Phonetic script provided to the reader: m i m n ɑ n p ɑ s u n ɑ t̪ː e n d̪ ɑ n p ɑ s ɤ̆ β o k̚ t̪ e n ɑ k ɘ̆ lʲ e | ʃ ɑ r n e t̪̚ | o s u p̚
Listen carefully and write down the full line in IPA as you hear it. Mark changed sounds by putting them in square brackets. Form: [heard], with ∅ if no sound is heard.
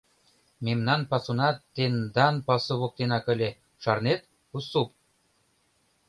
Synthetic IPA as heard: m [e] m n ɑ n p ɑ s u n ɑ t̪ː e n d̪ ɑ n p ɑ s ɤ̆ β o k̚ t̪ e n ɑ k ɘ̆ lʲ e | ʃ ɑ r n e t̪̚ | [u] s u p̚